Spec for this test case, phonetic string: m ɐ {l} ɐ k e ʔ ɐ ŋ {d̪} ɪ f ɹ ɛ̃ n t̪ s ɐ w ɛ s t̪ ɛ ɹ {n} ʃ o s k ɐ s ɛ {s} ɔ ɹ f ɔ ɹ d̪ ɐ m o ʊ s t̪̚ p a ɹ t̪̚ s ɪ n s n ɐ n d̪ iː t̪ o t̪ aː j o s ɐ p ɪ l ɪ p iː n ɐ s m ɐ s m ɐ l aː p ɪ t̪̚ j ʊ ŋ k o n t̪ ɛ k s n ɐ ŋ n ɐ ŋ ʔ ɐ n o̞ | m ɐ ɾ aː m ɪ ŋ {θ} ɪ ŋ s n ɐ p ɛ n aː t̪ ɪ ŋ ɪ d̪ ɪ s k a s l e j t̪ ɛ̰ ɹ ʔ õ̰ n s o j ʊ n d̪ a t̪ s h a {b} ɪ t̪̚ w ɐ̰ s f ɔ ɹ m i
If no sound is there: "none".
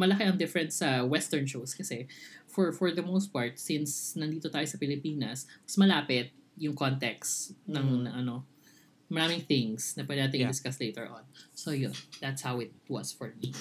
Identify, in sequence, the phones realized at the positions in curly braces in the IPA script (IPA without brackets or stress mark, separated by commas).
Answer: l, d̪, n, f, θ, w